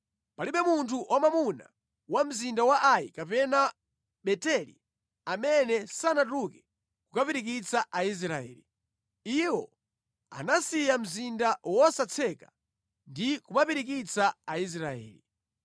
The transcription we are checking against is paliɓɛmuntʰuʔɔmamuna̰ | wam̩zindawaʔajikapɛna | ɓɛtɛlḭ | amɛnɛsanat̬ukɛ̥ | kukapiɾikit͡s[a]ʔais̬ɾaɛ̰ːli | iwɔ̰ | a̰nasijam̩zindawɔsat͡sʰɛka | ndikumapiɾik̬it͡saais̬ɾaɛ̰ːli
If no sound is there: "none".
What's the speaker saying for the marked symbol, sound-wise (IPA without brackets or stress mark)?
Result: a